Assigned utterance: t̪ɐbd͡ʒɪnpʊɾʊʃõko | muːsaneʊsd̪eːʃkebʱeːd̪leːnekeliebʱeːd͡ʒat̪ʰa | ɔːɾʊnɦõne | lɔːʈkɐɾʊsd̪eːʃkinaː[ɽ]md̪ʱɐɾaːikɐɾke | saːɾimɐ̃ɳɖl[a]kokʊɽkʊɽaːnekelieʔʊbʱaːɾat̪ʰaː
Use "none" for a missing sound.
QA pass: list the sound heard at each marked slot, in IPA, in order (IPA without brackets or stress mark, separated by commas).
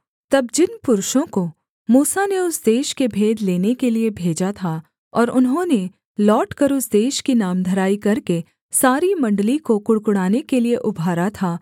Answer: none, i